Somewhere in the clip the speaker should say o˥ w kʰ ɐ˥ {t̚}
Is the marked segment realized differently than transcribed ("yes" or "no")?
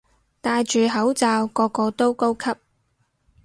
yes